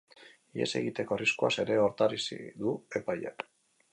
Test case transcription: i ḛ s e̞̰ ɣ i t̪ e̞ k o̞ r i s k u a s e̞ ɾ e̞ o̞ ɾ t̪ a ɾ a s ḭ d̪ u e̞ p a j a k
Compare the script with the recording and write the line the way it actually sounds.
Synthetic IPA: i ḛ s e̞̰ ɣ i t̪ e̞ k o̞ r i s k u a s e̞ ɾ e̞ o̞ ɾ t̪ a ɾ i s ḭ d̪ u e̞ p a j a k